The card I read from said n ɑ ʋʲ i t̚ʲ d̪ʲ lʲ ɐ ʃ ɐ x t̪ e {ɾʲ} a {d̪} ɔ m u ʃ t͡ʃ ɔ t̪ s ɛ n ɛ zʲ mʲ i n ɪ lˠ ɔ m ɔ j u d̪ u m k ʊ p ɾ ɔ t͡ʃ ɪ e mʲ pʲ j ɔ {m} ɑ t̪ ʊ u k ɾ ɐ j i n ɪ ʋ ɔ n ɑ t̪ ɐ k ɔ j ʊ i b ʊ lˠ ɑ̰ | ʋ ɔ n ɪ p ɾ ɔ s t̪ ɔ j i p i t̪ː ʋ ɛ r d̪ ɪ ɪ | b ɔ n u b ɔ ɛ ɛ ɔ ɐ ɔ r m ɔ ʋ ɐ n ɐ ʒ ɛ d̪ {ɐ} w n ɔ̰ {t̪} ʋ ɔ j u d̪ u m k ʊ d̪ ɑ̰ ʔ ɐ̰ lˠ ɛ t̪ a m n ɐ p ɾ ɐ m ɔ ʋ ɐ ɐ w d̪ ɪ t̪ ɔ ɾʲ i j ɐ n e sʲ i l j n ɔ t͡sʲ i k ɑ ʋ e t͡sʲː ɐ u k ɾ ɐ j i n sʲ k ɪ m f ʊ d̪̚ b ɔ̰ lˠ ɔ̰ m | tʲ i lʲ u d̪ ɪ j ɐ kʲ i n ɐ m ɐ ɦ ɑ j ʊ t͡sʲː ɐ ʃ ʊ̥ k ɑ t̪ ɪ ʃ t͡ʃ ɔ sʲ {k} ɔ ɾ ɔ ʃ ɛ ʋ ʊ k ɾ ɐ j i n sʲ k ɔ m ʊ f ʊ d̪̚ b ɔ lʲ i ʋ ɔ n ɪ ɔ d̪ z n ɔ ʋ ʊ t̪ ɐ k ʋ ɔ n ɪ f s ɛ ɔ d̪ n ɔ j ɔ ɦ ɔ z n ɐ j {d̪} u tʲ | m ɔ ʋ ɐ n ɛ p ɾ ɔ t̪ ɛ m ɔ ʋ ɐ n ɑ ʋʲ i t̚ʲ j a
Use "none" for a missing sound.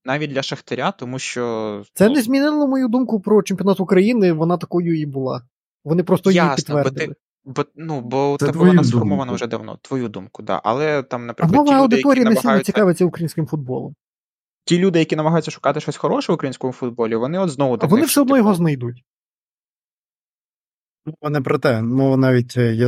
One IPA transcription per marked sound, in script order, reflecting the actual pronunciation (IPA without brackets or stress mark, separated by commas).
ɾʲ, t̪, n, ɐ, t̪, x, d̪